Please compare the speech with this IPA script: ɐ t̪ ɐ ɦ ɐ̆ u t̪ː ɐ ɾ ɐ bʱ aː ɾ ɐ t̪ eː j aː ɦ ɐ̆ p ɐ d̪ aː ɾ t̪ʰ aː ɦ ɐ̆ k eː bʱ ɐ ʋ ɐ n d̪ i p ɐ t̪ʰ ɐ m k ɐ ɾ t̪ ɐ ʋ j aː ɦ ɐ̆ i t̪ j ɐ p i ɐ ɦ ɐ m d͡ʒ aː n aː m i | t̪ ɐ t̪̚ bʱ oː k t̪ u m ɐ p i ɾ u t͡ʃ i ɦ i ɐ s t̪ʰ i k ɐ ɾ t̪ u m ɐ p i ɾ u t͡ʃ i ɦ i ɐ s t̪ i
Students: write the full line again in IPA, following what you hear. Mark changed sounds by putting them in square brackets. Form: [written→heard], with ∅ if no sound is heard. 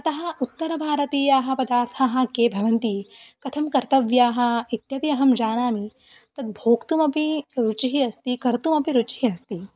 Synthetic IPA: ɐ t̪ ɐ ɦ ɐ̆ u t̪ː ɐ ɾ ɐ bʱ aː ɾ ɐ t̪ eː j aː ɦ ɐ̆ p ɐ d̪ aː ɾ t̪ʰ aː ɦ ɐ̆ k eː bʱ ɐ ʋ ɐ n [d̪→t̪] i [p→k] ɐ t̪ʰ ɐ m k ɐ ɾ t̪ ɐ ʋ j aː ɦ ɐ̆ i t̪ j ɐ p i ɐ ɦ ɐ m d͡ʒ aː n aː m i | t̪ ɐ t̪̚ bʱ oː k t̪ u m ɐ p i ɾ u t͡ʃ i ɦ i ɐ s [t̪ʰ→t̪] i k ɐ ɾ t̪ u m ɐ p i ɾ u t͡ʃ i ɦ i ɐ s t̪ i